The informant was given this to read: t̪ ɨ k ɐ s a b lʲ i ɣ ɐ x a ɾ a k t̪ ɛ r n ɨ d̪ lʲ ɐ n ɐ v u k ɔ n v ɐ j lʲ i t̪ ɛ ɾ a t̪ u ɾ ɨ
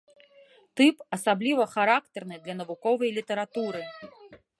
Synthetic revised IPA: t̪ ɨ p ɐ s a b lʲ i v ɐ x a ɾ a k t̪ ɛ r n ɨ d̪ lʲ ɐ n ɐ v u k ɔ v ɐ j lʲ i t̪ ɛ ɾ a t̪ u ɾ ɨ